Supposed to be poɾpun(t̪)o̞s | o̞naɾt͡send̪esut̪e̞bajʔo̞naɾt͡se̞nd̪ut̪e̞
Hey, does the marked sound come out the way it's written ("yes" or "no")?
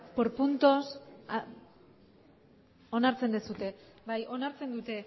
yes